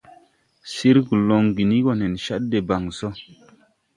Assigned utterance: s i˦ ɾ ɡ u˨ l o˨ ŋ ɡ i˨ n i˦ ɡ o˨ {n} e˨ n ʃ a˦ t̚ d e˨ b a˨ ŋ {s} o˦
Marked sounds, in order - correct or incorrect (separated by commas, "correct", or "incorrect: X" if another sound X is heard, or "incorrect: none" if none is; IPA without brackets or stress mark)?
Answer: correct, correct